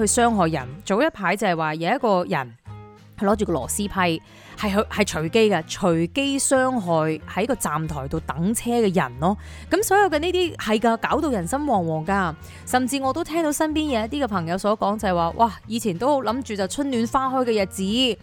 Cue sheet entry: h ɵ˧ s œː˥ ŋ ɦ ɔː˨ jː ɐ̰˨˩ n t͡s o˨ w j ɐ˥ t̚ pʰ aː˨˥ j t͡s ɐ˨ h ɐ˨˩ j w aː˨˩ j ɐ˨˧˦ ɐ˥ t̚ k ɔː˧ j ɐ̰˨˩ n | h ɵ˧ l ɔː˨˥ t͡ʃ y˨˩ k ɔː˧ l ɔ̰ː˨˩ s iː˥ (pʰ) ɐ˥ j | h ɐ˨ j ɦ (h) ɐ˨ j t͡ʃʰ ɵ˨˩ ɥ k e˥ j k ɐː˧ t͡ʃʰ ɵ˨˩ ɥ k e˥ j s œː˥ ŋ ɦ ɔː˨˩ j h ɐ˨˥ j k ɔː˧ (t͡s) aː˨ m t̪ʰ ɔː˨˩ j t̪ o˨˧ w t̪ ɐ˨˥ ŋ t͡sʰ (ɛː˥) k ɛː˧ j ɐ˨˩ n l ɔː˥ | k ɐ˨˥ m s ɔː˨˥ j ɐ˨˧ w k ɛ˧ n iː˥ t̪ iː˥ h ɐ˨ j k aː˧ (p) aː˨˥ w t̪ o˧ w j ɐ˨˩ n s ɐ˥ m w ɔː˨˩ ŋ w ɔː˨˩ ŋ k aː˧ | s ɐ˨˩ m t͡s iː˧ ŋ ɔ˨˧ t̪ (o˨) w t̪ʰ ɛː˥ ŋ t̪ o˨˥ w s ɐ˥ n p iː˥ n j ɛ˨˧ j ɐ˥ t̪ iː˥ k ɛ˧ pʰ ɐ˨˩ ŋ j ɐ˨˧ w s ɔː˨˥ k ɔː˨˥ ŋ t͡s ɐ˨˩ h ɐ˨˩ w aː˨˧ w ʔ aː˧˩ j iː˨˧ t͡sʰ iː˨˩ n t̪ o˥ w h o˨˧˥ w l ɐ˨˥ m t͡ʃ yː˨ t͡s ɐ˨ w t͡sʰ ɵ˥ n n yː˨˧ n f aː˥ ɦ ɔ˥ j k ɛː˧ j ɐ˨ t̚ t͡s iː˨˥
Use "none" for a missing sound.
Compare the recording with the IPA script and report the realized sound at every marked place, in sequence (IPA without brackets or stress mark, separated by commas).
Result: pʰ, h, t͡s, ɛː˥, k, o˥